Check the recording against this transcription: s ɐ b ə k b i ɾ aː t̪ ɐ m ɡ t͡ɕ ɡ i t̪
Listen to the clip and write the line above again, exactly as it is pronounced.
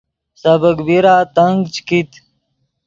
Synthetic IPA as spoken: s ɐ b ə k b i ɾ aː t̪ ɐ ŋ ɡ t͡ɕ k i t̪